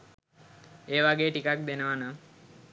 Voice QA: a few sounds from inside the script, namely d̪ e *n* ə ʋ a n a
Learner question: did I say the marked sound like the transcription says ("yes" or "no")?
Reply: yes